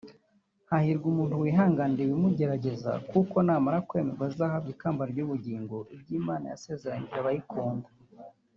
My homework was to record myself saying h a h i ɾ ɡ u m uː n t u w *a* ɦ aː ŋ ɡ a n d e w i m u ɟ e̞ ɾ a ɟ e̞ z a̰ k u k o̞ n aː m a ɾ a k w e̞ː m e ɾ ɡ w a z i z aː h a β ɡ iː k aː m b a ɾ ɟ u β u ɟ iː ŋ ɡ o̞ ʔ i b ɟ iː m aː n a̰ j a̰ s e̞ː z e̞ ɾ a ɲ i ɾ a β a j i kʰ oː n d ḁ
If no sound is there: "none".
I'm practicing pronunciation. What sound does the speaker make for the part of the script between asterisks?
i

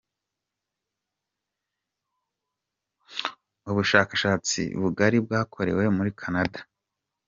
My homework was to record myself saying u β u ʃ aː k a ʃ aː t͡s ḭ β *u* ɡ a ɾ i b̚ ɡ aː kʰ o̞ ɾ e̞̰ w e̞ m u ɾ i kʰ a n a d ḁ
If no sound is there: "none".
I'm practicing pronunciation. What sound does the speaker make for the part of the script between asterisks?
u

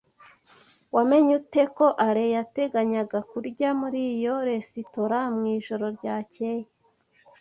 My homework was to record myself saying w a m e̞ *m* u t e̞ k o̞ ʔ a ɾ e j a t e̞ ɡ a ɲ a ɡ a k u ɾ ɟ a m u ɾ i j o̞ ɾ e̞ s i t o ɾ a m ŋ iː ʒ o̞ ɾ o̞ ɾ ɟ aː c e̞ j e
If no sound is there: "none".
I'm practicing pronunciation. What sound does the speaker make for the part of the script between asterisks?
ɲ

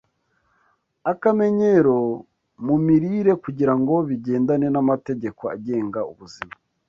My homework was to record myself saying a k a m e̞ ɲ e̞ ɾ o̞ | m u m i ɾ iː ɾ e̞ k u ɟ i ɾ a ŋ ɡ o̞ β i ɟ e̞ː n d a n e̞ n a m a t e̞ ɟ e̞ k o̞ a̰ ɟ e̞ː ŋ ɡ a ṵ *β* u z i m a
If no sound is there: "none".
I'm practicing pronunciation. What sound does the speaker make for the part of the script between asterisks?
β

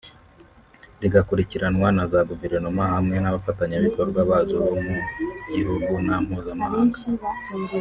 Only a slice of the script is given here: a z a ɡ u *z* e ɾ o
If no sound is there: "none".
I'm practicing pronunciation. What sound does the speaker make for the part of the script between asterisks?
v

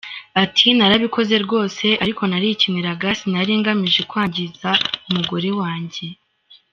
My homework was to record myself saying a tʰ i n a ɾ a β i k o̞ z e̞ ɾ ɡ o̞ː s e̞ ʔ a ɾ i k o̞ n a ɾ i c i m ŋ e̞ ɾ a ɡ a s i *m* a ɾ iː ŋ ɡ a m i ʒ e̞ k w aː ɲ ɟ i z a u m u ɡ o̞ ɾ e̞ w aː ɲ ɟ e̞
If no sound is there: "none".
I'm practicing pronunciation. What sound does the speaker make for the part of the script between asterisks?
n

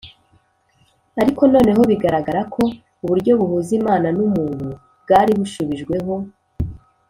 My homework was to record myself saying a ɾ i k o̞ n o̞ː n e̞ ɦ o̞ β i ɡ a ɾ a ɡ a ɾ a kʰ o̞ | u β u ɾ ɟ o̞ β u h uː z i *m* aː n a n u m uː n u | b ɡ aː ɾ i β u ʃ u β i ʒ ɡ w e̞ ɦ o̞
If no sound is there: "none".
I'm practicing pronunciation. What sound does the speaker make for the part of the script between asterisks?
m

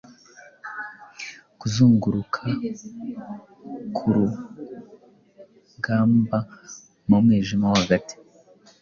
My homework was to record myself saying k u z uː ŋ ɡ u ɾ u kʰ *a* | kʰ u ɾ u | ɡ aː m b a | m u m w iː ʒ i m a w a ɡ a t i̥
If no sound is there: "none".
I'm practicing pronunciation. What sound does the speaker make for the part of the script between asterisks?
a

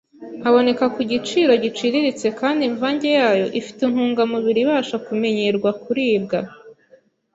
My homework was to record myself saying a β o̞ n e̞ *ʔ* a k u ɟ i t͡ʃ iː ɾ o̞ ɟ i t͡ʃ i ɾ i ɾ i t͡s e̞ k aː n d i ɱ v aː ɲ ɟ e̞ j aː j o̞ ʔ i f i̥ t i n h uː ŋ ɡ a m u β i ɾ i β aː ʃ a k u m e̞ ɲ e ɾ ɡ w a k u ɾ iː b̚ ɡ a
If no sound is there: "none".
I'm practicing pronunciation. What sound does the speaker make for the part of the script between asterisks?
k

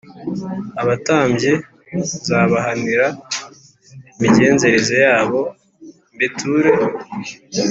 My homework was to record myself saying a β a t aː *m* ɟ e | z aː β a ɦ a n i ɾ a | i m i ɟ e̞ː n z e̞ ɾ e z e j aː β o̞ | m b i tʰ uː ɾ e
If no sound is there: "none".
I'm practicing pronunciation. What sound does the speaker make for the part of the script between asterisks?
m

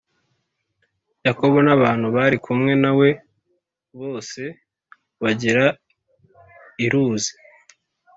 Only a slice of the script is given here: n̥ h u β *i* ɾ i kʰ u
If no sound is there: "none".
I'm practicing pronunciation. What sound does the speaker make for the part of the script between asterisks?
a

